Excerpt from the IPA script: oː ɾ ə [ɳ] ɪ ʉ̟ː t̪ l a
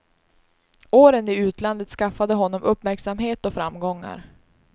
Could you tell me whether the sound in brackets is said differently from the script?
yes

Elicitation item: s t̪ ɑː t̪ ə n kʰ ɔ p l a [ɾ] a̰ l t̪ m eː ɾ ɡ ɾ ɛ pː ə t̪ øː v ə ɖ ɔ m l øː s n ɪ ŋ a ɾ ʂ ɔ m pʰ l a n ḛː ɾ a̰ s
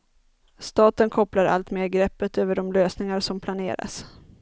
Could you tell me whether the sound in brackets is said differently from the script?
no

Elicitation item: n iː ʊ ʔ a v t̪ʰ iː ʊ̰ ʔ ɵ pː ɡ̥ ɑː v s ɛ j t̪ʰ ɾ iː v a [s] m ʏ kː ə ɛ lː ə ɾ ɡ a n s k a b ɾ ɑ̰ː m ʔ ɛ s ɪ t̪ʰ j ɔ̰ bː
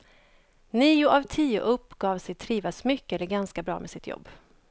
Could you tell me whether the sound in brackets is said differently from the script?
no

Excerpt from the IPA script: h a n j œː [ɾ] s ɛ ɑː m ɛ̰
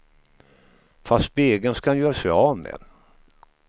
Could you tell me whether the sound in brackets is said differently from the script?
no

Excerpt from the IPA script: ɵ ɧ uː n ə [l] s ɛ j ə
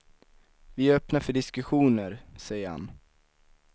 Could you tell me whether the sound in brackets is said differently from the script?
yes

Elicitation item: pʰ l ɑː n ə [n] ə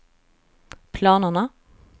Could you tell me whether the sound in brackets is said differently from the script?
no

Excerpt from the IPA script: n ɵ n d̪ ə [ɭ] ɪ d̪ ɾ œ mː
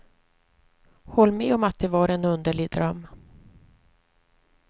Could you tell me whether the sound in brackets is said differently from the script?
no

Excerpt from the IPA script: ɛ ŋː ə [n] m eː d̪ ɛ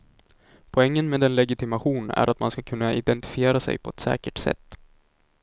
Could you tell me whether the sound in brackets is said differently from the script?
no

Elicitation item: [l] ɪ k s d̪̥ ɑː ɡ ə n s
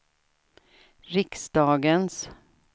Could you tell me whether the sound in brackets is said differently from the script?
yes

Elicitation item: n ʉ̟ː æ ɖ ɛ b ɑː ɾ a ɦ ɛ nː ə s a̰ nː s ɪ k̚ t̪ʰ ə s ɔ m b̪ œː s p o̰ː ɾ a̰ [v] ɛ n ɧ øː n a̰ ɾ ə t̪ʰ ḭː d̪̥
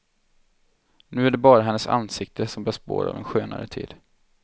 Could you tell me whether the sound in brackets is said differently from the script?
no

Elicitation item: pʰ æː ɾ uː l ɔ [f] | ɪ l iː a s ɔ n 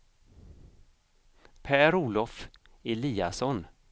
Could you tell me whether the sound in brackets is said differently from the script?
no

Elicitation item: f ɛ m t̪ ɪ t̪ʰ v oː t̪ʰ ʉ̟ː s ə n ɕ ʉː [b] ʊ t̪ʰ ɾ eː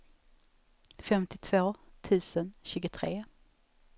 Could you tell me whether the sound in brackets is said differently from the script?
yes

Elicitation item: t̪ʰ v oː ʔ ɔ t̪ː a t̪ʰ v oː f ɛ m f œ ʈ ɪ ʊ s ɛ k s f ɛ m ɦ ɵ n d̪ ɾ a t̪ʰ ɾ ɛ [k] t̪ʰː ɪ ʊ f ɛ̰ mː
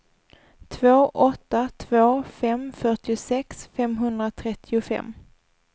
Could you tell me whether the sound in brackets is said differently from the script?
yes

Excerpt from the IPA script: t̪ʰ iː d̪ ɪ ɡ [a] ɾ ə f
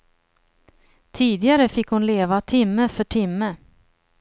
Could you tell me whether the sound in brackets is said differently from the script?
no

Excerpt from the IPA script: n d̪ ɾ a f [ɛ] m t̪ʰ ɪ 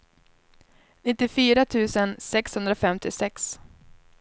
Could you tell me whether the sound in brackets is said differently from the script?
no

